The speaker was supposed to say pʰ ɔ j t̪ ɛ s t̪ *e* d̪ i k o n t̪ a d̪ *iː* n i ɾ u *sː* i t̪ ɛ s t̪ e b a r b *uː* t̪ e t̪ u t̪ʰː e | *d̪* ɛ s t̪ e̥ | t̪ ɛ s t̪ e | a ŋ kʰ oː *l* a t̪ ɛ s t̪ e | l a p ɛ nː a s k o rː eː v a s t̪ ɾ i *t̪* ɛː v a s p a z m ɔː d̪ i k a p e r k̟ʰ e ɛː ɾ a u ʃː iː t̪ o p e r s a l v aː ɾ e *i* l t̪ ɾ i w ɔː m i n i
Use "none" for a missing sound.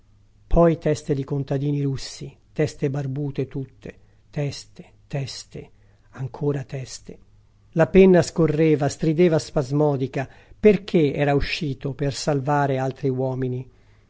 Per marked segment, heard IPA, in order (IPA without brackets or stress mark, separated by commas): e, iː, sː, uː, t̪, ɾ, d̪, a